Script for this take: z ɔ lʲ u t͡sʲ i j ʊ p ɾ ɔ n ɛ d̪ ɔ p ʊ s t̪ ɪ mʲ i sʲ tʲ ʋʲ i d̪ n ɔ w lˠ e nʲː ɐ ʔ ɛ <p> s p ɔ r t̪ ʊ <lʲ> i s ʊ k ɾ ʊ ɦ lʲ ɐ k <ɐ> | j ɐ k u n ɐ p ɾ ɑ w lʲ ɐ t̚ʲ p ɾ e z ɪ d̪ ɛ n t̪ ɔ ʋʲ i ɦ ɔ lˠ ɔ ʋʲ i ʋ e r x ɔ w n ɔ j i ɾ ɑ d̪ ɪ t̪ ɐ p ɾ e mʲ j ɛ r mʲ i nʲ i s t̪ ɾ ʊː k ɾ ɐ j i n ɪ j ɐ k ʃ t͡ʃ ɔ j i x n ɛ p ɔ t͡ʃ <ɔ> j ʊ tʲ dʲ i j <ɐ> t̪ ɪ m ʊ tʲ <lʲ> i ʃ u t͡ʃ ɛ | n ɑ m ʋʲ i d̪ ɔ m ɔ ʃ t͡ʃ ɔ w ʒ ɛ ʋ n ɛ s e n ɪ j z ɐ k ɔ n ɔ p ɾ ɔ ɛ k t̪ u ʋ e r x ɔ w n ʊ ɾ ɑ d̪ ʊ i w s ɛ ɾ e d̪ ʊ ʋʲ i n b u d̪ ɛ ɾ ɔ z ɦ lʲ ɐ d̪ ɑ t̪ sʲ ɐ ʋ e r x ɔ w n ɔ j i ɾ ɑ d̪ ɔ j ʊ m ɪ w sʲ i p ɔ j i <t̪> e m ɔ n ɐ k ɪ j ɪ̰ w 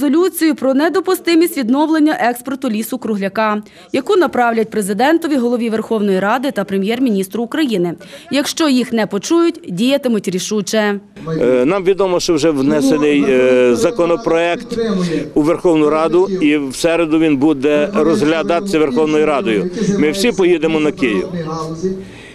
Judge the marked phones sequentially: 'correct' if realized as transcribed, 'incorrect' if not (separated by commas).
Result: incorrect, correct, incorrect, incorrect, correct, incorrect, incorrect